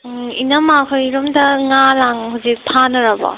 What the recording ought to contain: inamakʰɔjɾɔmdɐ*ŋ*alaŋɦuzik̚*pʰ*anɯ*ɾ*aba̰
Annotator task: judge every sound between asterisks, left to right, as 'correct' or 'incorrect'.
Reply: correct, correct, correct

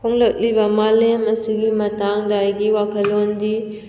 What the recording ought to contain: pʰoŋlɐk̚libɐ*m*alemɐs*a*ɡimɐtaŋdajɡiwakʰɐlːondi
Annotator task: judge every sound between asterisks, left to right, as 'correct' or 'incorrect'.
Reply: correct, incorrect

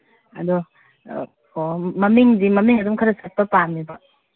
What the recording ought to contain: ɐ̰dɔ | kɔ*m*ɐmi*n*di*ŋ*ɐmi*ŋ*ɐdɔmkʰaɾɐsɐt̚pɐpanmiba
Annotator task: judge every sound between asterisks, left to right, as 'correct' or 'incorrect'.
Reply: correct, incorrect, incorrect, correct

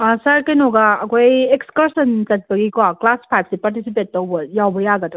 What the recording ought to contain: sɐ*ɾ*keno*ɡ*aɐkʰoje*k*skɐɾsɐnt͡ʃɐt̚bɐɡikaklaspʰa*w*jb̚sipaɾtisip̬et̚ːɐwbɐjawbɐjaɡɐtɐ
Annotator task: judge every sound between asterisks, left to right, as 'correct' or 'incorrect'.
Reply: correct, correct, correct, incorrect

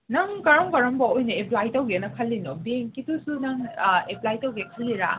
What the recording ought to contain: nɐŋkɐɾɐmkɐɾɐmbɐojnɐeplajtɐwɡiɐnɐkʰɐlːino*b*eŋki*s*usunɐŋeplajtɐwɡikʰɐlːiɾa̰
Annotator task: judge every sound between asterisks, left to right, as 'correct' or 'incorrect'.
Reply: correct, incorrect

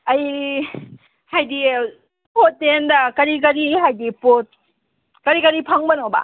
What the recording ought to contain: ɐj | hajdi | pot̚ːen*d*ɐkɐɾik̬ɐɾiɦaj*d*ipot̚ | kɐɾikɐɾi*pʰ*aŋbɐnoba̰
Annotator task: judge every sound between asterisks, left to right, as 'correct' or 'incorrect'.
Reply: correct, correct, correct

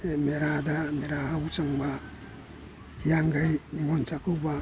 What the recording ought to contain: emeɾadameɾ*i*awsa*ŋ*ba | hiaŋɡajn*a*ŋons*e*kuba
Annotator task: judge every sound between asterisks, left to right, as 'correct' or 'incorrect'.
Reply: incorrect, correct, incorrect, incorrect

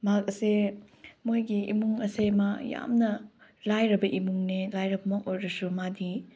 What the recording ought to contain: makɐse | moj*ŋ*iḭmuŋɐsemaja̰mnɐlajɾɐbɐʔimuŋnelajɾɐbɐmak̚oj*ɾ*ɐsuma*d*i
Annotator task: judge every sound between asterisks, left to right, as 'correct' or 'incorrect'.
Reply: incorrect, correct, correct

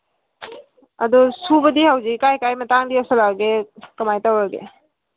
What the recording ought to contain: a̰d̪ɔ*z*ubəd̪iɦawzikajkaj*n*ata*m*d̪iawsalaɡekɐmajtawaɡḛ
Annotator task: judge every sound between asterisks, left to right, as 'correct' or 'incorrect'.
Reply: incorrect, incorrect, incorrect

